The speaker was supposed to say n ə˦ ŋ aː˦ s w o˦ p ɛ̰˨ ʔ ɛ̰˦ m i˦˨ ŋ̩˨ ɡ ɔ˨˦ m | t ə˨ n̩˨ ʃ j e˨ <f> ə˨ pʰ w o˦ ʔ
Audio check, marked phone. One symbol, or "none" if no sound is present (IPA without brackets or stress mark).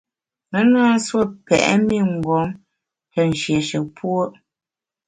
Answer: ʃ